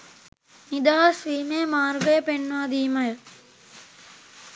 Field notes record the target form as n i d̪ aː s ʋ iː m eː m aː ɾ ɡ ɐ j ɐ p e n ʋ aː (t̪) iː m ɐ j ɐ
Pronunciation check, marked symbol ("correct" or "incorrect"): incorrect